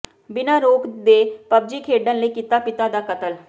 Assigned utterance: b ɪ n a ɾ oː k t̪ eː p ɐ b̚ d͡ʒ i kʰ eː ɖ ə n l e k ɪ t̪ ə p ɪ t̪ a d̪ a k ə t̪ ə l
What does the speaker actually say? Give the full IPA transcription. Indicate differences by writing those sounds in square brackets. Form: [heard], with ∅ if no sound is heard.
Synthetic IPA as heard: b ɪ n a ɾ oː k [d̪] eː p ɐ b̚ d͡ʒ i kʰ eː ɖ ə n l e k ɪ t̪ [a] p ɪ t̪ a d̪ a k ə t̪ ə l